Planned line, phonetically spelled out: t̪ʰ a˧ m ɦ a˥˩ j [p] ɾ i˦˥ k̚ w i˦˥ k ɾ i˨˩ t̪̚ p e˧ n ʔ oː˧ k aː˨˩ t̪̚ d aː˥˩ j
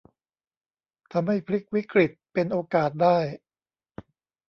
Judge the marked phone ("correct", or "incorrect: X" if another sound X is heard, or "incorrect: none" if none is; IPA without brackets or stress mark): incorrect: pʰ